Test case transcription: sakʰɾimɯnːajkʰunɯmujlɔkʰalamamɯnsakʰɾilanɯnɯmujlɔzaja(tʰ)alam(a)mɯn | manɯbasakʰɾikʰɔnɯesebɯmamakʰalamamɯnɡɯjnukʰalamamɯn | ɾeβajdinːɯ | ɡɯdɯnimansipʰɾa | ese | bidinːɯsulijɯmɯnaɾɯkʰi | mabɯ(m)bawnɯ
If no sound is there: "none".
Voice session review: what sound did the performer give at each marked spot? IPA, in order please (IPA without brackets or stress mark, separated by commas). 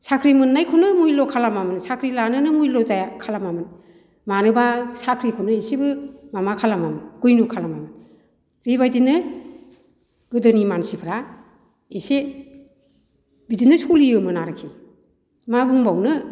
kʰ, a, ŋ